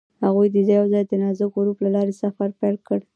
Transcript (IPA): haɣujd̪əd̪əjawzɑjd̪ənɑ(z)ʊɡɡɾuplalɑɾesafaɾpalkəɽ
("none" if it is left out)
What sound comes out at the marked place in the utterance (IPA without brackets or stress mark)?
z